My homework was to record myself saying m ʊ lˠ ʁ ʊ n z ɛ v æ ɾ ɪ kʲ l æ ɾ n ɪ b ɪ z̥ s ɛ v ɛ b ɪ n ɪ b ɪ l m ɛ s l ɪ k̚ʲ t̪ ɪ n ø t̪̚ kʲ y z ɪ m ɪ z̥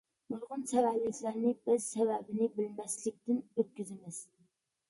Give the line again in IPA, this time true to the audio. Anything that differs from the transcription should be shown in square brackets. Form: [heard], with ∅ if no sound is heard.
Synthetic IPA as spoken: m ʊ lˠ ʁ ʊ n [s] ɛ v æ [l] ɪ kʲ l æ ɾ n ɪ b ɪ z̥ s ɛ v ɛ b ɪ n ɪ b ɪ l m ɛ s l ɪ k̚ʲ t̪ ɪ n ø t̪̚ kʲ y z ɪ m ɪ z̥